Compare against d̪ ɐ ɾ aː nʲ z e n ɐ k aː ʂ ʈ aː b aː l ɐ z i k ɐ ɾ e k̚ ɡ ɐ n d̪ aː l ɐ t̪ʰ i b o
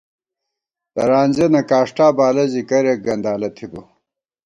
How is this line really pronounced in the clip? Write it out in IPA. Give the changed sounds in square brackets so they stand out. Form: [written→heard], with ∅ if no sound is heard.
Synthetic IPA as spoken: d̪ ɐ ɾ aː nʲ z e n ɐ k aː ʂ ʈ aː b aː l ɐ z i k ɐ ɾ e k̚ ɡ ɐ n d̪ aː l ɐ t̪ʰ i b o